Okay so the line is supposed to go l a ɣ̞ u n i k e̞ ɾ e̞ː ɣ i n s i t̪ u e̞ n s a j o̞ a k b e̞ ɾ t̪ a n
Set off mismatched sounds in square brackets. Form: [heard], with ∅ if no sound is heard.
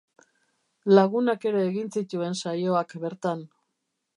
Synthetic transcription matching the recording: l a ɣ̞ u n [a] k e̞ ɾ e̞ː ɣ i n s i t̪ u e̞ n s a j o̞ a k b e̞ ɾ t̪ a n